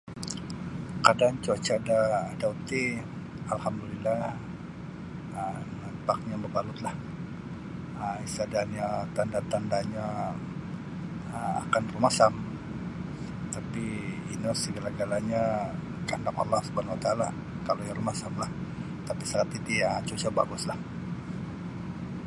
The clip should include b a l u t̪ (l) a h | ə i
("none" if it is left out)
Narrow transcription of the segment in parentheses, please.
l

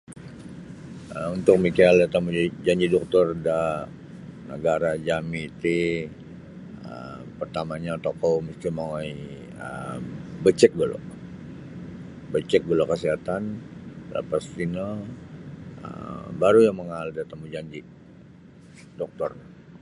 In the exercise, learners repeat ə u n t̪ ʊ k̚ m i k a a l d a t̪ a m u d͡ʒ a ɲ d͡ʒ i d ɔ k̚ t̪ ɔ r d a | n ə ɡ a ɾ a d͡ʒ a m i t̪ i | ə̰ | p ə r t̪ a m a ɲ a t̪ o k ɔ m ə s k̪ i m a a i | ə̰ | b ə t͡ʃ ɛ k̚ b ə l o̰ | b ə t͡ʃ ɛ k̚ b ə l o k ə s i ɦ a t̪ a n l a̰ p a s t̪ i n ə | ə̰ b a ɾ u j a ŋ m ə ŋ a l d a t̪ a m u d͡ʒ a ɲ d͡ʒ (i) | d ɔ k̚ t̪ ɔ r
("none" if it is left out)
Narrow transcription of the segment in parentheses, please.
i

